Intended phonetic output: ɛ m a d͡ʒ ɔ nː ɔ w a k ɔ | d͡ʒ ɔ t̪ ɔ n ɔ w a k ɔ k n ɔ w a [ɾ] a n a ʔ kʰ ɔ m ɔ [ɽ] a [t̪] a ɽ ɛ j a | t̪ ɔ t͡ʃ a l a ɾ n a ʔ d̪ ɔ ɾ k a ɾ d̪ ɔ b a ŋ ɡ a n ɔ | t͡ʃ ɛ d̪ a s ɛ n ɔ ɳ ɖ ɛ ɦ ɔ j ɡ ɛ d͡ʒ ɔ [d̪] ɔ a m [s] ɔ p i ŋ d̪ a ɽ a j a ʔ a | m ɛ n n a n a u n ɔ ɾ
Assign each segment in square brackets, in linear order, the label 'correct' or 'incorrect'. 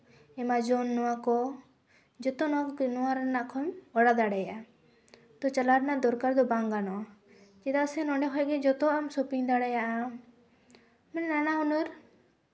correct, correct, incorrect: d̪, incorrect: t̪, correct

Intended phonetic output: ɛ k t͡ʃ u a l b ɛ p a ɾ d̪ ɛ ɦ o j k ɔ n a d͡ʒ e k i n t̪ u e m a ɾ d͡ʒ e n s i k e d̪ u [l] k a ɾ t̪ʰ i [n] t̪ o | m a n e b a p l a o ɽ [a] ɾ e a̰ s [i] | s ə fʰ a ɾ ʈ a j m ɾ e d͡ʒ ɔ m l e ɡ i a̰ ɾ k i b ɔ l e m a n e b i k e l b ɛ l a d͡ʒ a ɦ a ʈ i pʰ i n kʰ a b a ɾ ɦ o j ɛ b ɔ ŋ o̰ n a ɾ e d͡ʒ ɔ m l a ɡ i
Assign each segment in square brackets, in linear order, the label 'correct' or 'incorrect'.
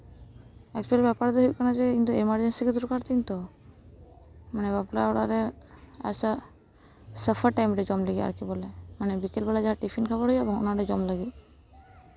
incorrect: ɾ, correct, correct, incorrect: a

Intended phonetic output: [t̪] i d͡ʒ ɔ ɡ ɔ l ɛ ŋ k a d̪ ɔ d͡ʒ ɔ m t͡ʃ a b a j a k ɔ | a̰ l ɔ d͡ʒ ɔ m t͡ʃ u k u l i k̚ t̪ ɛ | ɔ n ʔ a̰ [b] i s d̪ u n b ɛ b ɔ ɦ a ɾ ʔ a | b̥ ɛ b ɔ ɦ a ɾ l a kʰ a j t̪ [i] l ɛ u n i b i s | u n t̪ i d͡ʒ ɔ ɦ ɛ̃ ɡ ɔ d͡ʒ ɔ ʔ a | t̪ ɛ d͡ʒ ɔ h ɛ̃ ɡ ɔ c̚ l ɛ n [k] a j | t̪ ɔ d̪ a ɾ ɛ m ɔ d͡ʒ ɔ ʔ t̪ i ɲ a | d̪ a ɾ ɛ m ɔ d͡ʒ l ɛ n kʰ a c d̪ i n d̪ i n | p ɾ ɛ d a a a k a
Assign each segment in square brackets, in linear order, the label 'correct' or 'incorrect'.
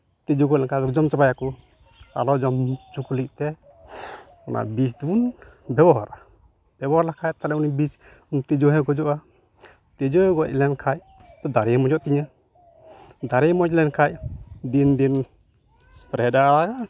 correct, correct, incorrect: a, incorrect: kʰ

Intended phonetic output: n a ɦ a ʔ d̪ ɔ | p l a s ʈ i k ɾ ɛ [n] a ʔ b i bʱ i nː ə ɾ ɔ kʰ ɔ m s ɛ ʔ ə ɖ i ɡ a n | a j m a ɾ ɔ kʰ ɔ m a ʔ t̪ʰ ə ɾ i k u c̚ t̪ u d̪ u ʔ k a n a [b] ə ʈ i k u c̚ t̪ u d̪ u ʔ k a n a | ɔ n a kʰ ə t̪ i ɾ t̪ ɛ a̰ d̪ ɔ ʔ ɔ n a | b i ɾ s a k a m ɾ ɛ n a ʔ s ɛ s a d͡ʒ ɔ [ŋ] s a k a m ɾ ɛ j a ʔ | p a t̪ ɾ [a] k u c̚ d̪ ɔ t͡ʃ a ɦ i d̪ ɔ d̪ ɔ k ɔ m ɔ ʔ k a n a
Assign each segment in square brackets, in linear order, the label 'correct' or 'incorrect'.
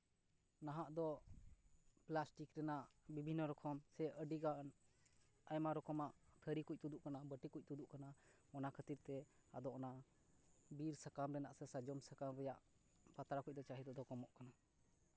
correct, correct, incorrect: m, correct

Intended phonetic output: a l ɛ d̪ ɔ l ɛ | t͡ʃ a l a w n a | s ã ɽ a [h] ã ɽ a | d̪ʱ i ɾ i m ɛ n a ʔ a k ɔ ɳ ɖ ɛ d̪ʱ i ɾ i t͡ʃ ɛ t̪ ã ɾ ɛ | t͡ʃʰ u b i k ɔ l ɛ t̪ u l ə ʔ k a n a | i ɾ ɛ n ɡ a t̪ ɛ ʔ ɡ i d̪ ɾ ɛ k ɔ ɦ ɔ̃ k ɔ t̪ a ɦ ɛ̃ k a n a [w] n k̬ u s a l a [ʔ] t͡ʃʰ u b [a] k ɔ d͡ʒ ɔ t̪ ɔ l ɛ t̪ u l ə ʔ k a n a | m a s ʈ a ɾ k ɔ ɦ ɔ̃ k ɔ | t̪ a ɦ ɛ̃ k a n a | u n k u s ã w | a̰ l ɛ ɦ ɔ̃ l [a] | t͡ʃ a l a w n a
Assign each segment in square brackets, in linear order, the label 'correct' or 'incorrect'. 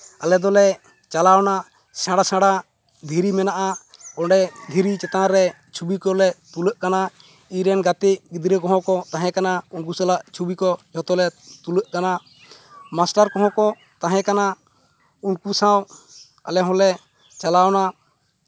incorrect: s, incorrect: u, correct, incorrect: i, incorrect: ɛ

